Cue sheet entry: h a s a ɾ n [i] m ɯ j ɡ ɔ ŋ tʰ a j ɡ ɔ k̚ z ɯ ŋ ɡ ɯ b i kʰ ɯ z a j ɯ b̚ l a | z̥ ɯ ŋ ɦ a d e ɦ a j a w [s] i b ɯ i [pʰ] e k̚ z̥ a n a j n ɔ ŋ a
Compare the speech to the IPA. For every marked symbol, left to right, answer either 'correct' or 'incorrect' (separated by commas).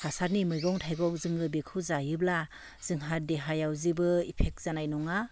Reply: correct, incorrect, correct